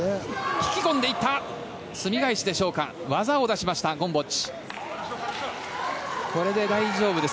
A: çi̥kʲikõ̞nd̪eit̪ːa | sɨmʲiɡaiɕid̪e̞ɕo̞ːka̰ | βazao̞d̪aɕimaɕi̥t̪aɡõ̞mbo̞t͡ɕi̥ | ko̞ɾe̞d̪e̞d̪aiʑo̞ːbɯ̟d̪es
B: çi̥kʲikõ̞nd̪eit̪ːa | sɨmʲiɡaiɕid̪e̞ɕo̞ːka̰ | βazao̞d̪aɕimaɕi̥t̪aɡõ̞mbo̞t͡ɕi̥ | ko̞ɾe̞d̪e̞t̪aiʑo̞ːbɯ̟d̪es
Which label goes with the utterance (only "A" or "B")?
A